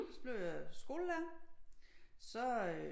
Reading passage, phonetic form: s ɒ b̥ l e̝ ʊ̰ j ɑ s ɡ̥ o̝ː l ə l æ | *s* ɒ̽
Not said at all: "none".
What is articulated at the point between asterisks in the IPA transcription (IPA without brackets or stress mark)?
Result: s